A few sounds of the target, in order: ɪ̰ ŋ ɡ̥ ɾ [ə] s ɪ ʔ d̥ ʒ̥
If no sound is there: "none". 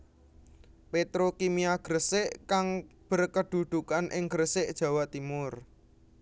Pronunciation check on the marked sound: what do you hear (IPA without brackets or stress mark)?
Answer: ə